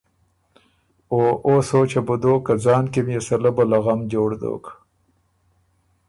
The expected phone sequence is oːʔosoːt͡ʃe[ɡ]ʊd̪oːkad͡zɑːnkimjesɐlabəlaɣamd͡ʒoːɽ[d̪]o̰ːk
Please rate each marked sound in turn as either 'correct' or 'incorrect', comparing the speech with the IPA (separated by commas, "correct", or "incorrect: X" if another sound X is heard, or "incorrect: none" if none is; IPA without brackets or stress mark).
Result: incorrect: b, correct